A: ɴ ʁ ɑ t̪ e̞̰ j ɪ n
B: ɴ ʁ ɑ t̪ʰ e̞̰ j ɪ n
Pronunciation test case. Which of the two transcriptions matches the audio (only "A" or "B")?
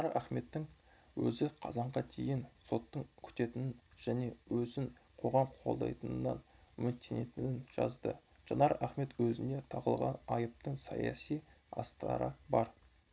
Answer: B